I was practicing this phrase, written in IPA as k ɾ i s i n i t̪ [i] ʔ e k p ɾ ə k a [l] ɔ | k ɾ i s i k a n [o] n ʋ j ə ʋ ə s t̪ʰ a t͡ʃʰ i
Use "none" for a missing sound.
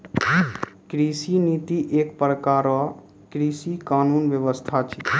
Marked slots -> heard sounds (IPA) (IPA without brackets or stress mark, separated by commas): i, ɾ, u